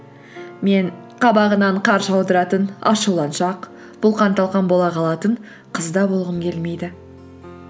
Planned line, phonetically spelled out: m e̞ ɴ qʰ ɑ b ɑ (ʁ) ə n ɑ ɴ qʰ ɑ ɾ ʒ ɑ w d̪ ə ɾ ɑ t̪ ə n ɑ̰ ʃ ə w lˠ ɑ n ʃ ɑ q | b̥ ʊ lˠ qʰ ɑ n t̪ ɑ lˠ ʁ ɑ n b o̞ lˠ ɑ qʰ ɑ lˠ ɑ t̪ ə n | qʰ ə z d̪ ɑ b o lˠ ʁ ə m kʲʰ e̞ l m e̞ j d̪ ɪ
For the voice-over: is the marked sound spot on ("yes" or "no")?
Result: yes